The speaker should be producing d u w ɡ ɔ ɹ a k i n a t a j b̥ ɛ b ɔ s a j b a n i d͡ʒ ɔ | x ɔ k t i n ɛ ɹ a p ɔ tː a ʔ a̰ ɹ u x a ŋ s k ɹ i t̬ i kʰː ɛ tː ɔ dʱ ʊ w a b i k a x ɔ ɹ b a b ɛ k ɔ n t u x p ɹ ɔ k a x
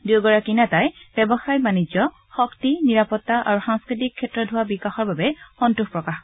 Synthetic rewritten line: d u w ɡ ɔ ɹ a k i n a t a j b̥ ɛ b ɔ x a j b a n i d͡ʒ ɔ | x ɔ k t i n i ɹ a p ɔ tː a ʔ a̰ ɹ u x a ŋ s k ɹ i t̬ i kʰː ɛ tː ɔ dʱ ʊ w a b i k a x ɔ ɹ b a b ɛ x ɔ n t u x p ɹ ɔ k a x